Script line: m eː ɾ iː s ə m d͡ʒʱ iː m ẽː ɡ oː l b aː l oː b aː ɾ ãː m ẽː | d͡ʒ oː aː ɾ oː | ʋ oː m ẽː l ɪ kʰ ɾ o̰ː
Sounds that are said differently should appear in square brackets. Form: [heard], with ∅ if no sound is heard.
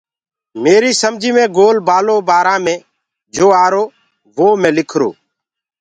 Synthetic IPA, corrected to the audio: m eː ɾ iː s ə m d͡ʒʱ iː m ẽː ɡ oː l b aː l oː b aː ɾ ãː m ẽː | d͡ʒ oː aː ɾ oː | ʋ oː m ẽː l ɪ kʰ ɾ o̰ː